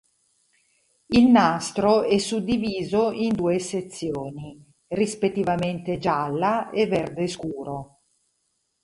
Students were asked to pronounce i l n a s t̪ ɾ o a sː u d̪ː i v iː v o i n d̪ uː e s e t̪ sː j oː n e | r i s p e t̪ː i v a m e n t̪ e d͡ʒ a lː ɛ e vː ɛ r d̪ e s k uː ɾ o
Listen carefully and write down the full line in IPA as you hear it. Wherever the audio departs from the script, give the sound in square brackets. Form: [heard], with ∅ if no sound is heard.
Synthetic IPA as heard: i l n a s t̪ ɾ o [ɛ] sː u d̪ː i v iː [z] o i n d̪ uː e s e t̪ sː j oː n [i] | r i s p e t̪ː i v a m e n t̪ e d͡ʒ a lː [a] e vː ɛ r d̪ e s k uː ɾ o